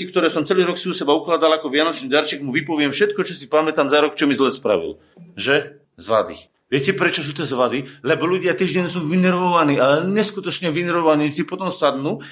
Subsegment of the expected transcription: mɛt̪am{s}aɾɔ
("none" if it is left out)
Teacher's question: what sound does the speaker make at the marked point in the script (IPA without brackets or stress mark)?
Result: z